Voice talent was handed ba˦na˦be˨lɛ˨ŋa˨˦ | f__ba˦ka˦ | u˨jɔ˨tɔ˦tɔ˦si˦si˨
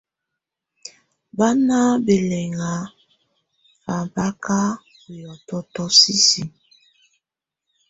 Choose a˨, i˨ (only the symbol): a˨